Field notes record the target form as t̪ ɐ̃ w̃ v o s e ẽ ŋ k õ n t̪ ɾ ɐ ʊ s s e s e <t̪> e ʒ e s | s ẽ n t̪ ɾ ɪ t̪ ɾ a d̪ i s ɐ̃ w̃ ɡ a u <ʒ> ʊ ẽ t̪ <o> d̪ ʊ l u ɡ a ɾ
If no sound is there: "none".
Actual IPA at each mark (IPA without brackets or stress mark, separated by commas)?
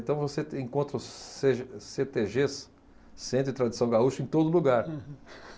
t̪, ʃ, o